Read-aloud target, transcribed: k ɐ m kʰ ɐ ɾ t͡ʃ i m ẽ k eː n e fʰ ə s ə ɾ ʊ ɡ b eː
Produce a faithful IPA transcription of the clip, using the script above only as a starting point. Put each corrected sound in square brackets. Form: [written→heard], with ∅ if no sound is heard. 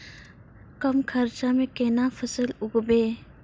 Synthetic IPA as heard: k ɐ m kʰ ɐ ɾ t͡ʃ [i→a] m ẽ k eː n [e→a] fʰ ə s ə [ɾ→l] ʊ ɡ b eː